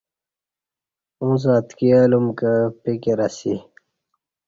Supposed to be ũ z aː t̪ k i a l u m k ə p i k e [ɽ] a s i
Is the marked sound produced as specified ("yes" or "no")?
no